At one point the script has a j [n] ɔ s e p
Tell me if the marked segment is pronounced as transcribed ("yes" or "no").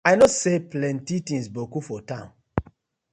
yes